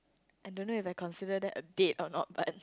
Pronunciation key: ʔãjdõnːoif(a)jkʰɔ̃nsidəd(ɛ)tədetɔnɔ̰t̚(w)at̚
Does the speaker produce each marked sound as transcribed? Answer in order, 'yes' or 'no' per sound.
yes, yes, no

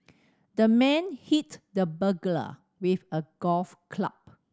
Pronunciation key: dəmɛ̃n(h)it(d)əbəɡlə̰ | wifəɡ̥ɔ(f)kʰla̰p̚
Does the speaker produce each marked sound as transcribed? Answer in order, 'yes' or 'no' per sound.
yes, yes, yes

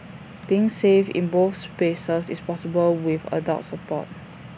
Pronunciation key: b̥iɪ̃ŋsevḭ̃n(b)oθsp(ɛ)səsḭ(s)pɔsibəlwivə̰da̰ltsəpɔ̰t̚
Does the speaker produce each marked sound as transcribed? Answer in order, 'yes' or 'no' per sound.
yes, no, yes

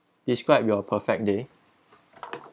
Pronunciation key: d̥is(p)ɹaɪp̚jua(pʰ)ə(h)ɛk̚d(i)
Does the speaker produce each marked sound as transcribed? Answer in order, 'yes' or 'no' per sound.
no, yes, no, no

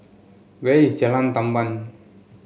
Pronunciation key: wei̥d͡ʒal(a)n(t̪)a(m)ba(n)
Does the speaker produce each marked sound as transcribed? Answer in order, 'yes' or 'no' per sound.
yes, yes, yes, yes

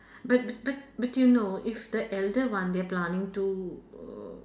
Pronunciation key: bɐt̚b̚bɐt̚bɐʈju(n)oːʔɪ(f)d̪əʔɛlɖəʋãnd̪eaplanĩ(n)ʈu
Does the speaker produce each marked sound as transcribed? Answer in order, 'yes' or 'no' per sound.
yes, yes, no

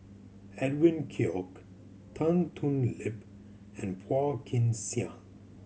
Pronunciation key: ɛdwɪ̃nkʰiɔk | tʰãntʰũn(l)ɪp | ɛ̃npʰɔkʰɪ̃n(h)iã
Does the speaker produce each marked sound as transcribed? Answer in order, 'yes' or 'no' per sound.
yes, no

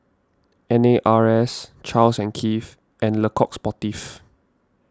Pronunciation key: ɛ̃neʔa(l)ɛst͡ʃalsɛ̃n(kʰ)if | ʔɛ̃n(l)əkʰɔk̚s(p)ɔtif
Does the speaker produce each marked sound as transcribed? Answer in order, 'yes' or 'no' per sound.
no, yes, yes, yes

